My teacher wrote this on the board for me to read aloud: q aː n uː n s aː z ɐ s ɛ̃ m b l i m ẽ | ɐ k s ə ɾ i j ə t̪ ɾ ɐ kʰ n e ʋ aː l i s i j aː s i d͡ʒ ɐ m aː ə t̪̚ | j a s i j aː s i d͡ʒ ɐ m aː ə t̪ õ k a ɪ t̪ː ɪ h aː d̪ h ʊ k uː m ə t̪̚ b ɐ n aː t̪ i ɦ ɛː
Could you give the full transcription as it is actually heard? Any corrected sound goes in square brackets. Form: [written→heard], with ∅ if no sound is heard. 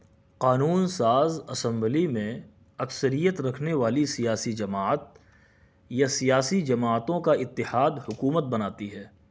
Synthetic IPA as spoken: q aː n uː n s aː z ɐ s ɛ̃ m b l i m ẽ | ɐ k s ə ɾ i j ə t̪ ɾ ɐ kʰ n e ʋ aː l i s i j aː s i d͡ʒ ɐ m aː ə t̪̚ | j a s i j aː s i d͡ʒ ɐ m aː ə t̪ õ k a ɪ t̪ː ɪ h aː d̪ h ʊ k uː m ə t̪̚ b ɐ n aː t̪ i ɦ ɛː